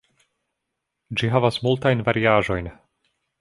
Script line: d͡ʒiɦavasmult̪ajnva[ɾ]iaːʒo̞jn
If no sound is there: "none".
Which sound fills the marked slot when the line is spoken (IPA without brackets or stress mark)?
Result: ɾ